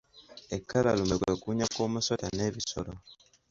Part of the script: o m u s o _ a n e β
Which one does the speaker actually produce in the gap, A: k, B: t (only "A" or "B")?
B